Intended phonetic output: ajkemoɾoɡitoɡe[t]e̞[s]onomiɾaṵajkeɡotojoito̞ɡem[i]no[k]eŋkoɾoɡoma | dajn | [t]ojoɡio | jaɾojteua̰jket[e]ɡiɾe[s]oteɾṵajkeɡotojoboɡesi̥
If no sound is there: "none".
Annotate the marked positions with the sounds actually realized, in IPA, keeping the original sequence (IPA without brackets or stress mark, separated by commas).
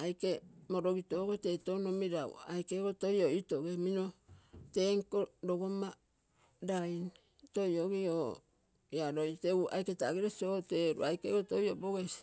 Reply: t, t, i, t, t, a, s